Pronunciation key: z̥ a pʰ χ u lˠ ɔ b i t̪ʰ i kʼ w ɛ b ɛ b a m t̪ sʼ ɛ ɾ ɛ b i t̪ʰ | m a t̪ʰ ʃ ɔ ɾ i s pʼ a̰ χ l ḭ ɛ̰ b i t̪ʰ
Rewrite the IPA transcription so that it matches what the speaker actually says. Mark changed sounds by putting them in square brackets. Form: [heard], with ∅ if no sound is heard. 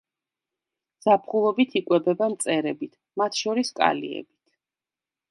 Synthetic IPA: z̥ a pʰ χ u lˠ ɔ b i t̪ʰ i kʼ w ɛ b ɛ b a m t̪ sʼ ɛ ɾ ɛ b i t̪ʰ | m a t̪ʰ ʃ ɔ ɾ i s [kʼ] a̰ [∅] l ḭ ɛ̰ b i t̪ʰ